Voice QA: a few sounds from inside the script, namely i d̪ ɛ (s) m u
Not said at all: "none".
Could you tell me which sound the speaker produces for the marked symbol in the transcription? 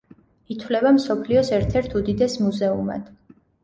s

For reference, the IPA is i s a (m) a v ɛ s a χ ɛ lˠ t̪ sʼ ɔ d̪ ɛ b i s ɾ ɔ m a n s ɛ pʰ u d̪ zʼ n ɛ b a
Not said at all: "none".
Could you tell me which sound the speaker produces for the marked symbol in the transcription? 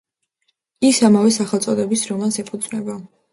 m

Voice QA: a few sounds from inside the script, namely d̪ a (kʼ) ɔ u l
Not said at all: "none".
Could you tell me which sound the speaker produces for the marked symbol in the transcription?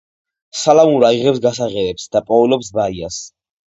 pʼ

